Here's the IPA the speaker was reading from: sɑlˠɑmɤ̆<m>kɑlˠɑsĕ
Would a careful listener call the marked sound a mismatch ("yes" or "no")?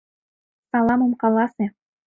no